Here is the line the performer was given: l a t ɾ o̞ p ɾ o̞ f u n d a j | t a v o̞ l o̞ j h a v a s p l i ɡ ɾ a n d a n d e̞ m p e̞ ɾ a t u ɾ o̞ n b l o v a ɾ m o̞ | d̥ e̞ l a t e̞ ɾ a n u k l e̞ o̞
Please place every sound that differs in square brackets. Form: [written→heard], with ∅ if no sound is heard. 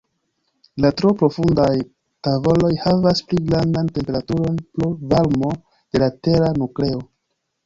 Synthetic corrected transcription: l a t ɾ o̞ p ɾ o̞ f u n d a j | t a v o̞ l o̞ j h a v a s p l i ɡ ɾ a n d a n [d→t] e̞ m p e̞ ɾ a t u ɾ o̞ n [b→p] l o v a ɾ m o̞ | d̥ e̞ l a t e̞ ɾ a n u k l e̞ o̞